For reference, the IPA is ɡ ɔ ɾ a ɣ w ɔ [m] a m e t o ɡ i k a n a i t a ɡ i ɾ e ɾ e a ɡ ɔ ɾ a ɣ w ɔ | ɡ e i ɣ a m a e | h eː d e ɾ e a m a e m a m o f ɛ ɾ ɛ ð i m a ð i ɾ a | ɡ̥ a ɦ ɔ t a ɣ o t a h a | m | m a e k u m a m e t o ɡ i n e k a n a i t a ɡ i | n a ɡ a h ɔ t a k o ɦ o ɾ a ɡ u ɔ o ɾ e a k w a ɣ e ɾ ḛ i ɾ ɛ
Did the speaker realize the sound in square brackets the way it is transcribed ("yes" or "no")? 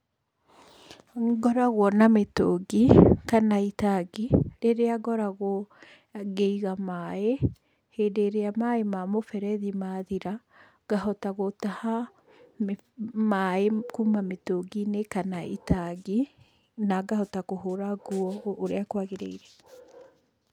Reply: no